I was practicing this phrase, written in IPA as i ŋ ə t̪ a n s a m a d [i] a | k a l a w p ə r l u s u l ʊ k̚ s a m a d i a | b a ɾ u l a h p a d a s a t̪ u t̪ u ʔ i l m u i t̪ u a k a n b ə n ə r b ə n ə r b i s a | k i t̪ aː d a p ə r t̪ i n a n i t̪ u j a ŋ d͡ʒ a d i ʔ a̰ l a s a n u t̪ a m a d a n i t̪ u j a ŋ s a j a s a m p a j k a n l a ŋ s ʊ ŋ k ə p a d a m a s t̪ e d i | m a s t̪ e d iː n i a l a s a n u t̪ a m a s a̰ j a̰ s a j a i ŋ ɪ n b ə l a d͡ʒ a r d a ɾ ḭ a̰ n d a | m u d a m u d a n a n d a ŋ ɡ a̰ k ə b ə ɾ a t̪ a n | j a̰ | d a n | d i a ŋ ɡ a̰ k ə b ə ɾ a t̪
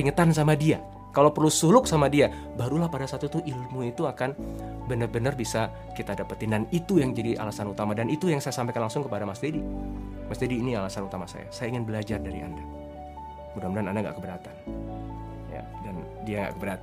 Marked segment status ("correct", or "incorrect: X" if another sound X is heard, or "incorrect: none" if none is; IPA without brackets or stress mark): correct